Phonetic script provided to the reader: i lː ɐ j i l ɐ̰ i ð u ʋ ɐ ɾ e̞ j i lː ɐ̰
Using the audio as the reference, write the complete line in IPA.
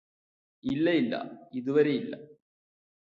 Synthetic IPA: i lː ɐ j i lː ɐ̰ i ð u ʋ ɐ ɾ e̞ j i lː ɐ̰